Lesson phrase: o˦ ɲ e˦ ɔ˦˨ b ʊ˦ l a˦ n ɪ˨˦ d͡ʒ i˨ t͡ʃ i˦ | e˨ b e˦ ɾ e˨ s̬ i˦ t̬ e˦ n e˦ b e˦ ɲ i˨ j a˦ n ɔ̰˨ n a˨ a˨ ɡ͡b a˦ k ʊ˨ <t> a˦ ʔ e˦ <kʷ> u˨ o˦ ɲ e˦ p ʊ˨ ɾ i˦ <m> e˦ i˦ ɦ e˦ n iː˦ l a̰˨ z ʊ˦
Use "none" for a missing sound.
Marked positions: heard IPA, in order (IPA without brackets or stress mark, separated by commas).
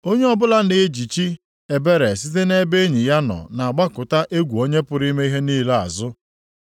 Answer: t, ɡʷ, m